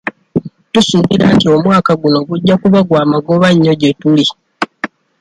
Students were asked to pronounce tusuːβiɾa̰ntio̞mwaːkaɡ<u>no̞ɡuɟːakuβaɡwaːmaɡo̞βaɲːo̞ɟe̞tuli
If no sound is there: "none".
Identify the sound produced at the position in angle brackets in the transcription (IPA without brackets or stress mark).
u